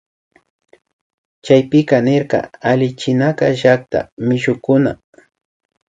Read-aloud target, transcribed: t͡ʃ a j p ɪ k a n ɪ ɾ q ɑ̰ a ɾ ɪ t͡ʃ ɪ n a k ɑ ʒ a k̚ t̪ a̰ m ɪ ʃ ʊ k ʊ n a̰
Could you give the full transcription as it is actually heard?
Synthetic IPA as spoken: t͡ʃ a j p ɪ k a n ɪ ɾ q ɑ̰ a l ɪ t͡ʃ ɪ n a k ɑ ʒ a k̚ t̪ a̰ m ɪ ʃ ʊ k ʊ n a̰